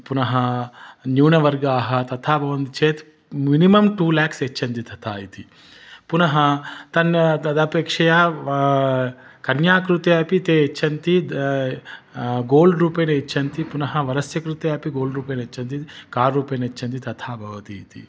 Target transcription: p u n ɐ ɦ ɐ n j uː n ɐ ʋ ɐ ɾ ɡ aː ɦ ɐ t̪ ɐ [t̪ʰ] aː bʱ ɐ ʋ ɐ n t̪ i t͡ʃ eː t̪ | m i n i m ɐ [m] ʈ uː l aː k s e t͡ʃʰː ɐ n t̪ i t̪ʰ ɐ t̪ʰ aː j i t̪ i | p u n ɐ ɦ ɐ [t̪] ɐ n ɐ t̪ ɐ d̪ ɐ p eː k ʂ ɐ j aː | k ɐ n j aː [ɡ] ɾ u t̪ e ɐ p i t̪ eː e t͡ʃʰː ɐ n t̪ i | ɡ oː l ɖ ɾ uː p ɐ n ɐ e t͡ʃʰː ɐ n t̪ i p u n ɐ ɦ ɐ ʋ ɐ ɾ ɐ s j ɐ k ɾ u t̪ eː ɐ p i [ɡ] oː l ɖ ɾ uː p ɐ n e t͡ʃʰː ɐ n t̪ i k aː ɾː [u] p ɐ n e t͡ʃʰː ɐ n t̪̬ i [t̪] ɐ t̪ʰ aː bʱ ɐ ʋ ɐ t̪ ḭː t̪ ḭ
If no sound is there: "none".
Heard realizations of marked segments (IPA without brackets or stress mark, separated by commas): t̪ʰ, m, t̪, k, ɡ, uː, t̪